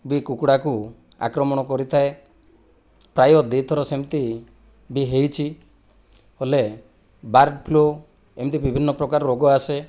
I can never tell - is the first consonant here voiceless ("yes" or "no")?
no